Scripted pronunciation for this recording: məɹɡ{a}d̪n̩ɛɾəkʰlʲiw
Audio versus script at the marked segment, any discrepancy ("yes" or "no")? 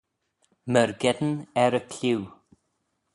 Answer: yes